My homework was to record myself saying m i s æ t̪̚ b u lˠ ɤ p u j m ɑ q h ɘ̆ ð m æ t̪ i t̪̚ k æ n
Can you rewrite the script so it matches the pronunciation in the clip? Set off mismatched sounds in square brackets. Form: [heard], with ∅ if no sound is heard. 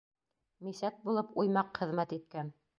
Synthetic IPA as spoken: m i s æ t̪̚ b u lˠ ɤ p u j m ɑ q [χ] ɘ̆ ð m æ t̪ i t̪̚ k æ n